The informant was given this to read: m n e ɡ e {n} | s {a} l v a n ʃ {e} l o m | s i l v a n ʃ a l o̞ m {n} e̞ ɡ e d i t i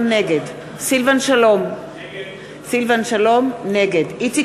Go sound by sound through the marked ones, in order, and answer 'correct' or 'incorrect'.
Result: incorrect: d, incorrect: i, incorrect: a, correct

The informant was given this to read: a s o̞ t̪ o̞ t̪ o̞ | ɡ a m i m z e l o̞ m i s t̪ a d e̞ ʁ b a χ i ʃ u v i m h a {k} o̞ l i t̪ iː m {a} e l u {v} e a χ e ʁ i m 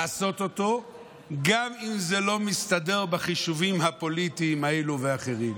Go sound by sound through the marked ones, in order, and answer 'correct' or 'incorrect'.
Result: incorrect: p, correct, correct

